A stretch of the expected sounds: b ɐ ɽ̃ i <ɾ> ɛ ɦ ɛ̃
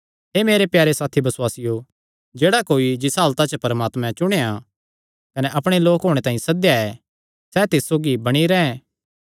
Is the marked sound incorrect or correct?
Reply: correct